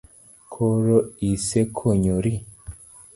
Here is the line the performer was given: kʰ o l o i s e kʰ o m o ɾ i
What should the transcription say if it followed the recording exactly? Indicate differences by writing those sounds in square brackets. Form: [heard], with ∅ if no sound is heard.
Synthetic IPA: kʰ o [ɾ] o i s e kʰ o [ɲ] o ɾ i